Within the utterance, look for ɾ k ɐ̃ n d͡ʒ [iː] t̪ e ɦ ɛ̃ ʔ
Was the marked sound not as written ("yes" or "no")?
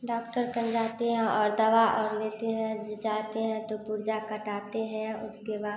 yes